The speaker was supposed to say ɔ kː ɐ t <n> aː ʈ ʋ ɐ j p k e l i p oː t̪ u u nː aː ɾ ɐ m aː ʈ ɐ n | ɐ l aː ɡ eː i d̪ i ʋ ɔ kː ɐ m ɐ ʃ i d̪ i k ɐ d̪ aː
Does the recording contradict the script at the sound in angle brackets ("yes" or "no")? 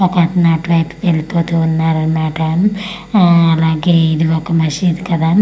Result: no